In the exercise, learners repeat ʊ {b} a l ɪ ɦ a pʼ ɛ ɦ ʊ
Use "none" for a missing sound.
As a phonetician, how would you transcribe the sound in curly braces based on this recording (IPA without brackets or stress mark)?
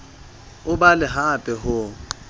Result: b